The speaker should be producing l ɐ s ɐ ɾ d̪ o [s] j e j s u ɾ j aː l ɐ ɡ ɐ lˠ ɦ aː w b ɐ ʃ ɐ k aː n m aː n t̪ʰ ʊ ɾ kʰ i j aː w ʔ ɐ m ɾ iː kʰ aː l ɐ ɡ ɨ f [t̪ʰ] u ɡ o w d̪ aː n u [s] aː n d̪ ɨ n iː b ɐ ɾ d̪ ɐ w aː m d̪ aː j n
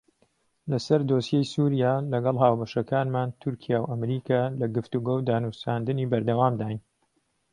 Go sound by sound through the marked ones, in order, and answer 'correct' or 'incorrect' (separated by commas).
correct, incorrect, correct